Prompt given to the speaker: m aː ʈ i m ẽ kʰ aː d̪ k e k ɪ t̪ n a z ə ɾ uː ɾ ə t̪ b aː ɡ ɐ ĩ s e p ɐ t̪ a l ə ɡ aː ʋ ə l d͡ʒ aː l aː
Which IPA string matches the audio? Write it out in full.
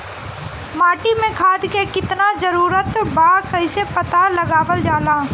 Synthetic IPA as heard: m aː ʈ i m ẽ kʰ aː d̪ k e k ɪ t̪ n a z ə ɾ uː ɾ ə t̪ b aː k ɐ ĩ s e p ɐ t̪ a l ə ɡ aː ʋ ə l d͡ʒ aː l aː